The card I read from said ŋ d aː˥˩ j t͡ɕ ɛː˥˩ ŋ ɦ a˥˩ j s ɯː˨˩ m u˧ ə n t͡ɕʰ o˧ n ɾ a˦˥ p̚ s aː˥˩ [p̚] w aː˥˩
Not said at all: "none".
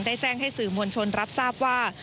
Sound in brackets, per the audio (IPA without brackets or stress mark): p̚